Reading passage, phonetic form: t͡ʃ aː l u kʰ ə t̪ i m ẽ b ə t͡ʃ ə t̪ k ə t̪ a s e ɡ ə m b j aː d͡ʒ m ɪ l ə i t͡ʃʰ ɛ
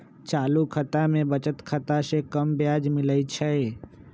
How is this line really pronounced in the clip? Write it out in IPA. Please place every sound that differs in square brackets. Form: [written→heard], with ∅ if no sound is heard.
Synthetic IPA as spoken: t͡ʃ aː l u kʰ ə t̪ [i→a] m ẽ b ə t͡ʃ ə t̪ [k→kʰ] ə t̪ a s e [ɡ→k] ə m b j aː d͡ʒ m ɪ l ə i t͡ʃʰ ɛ